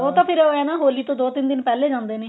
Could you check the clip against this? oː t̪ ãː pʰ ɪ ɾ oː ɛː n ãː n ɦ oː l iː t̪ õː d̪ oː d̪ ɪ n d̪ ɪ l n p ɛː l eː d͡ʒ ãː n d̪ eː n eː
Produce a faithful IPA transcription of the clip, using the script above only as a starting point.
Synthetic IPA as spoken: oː t̪ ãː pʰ ɪ ɾ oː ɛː n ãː ɦ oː l iː t̪ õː d̪ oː t̪ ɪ n d̪ ɪ n p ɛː l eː d͡ʒ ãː n d̪ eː n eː

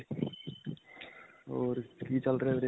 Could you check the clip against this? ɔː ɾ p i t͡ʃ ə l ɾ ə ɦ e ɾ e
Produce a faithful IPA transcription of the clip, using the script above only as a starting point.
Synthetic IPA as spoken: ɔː ɾ k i t͡ʃ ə l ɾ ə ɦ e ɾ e

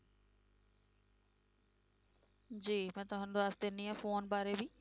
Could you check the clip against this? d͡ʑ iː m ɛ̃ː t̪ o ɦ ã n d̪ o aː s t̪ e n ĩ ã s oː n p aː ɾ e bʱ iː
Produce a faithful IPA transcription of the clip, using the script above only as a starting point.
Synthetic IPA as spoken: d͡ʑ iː m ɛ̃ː t̪ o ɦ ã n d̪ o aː s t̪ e n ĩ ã f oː n b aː ɾ e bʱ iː

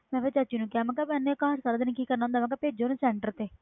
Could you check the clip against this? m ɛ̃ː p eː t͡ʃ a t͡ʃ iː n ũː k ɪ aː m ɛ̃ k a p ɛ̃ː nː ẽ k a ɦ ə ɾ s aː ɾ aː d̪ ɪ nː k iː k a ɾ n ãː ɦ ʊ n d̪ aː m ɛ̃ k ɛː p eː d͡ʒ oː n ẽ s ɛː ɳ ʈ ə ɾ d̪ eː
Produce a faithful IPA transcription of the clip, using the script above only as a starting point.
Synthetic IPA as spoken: m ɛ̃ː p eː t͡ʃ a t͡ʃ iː n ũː k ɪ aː m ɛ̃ k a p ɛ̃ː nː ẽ k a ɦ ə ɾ s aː ɾ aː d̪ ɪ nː k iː k ə ɾ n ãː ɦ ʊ n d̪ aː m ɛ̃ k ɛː p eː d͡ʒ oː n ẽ s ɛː ɳ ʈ ə ɾ t̪ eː

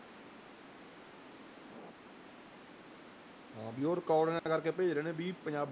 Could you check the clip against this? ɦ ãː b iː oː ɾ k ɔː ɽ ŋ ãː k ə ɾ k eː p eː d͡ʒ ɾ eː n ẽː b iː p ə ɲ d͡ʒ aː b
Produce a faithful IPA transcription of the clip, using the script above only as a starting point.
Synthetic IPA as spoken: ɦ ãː b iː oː ɾ k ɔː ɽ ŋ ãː k ə ɾ k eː p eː d͡ʒ ɾ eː n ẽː b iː p ə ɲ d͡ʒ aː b

